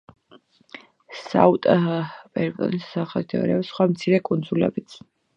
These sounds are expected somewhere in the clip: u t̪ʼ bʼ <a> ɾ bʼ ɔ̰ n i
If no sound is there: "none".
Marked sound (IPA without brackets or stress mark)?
ɛ